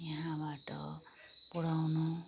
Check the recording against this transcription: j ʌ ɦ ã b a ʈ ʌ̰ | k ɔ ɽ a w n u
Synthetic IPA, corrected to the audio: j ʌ ɦ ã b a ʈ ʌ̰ | p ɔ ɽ a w n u